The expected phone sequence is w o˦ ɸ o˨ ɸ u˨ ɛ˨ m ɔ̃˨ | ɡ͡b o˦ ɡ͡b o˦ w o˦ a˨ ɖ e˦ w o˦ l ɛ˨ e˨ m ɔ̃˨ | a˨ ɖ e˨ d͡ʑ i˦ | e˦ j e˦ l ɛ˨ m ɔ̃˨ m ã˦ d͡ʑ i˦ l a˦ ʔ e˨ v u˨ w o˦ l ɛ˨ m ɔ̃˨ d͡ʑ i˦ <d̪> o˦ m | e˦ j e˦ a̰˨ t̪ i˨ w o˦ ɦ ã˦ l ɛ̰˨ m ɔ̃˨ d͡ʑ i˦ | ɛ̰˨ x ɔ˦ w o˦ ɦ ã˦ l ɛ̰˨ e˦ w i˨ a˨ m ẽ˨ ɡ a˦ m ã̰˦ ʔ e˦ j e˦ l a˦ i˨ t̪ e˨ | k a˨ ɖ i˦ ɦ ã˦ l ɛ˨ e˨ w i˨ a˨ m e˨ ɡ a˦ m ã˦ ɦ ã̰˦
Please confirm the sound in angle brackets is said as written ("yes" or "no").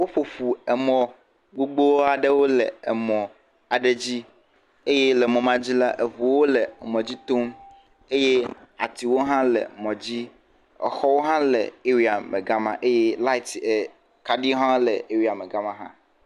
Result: no